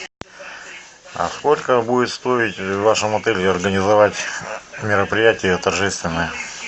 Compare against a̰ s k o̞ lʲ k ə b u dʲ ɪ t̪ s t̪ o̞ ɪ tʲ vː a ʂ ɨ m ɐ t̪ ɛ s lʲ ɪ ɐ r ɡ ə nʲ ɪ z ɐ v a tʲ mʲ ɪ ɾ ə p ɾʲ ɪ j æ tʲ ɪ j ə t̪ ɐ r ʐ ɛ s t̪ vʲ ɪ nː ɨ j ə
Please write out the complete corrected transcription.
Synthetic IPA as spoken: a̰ s k o̞ lʲ k ə b u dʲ ɪ t̪ s t̪ o̞ ɪ tʲ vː a ʂ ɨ m ɐ t̪ ɛ lʲ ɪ ɐ r ɡ ə nʲ ɪ z ɐ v a tʲ mʲ ɪ ɾ ə p ɾʲ ɪ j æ tʲ ɪ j ə t̪ ɐ r ʐ ɛ s t̪ vʲ ɪ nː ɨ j ə